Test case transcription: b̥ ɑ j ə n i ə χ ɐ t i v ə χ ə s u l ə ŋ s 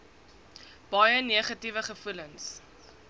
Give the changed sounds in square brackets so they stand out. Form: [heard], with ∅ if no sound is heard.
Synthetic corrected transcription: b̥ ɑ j ə n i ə χ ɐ t i v ə χ ə [f] u l ə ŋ s